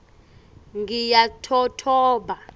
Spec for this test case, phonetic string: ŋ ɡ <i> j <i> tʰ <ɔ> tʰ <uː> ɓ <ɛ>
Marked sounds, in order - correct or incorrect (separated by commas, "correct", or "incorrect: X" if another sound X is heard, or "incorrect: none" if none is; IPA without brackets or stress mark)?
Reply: correct, incorrect: a, correct, incorrect: ɔː, incorrect: a